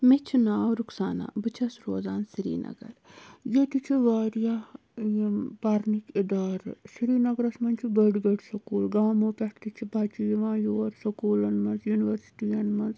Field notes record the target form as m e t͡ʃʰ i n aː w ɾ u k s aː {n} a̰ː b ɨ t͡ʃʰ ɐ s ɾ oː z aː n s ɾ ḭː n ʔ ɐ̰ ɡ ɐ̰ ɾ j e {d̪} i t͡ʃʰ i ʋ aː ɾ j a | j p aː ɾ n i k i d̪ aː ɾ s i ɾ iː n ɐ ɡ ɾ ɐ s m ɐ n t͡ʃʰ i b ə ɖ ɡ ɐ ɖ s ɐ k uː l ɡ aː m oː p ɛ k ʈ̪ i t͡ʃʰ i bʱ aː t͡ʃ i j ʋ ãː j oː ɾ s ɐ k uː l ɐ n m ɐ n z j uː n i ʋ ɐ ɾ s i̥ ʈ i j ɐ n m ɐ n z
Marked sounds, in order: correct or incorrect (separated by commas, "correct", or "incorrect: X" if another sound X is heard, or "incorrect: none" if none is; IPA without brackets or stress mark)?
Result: correct, incorrect: t̪